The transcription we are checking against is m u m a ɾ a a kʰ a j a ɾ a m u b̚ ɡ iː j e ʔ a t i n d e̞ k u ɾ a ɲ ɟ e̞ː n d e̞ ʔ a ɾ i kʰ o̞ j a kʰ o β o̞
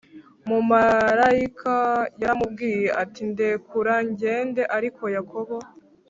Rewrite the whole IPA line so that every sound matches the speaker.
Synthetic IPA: m u m a ɾ a i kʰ a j a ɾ a m u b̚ ɡ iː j e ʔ a t i n d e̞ k u ɾ a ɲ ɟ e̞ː n d e̞ ʔ a ɾ i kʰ o̞ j a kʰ o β o̞